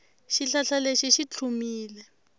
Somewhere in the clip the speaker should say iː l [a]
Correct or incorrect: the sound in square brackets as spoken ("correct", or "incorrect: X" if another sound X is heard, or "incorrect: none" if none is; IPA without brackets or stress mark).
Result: incorrect: ɛ